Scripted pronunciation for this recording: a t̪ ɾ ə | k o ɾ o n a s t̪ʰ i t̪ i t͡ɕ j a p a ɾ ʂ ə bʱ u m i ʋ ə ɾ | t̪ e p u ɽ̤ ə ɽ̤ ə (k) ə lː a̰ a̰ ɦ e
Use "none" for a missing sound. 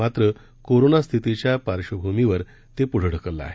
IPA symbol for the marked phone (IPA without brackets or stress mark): k